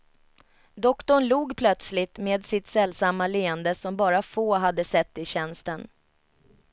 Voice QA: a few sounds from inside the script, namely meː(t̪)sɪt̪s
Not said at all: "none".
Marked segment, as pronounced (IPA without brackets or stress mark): d̪